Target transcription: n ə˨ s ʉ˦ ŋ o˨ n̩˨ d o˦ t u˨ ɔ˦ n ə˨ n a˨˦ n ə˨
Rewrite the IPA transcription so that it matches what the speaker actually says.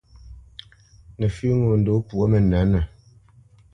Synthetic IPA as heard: n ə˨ f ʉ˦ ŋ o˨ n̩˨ d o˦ p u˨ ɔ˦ m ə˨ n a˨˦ n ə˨